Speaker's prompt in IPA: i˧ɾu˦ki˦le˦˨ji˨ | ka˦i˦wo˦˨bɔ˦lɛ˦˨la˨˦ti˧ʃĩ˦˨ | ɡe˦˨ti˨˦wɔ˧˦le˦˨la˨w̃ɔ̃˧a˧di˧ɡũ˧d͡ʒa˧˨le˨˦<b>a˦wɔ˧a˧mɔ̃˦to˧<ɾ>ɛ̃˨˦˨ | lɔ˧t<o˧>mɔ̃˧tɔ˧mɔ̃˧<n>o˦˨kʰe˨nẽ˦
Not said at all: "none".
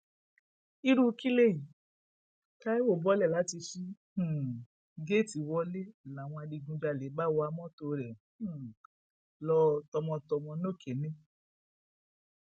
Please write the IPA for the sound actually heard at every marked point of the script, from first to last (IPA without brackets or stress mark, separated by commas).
b, ɾ, ɔ˧, n